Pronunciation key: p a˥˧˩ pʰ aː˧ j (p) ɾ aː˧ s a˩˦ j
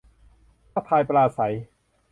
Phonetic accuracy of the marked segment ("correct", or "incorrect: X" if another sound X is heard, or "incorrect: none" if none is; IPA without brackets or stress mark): correct